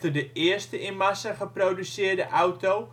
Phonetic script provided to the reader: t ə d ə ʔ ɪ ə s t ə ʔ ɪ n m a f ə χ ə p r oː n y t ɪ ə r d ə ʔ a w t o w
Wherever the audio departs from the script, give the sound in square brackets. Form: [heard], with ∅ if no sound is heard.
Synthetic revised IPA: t ə d ə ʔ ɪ ə s t ə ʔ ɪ n m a [s] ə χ ə p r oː [d] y [s] ɪ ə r d ə ʔ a w t o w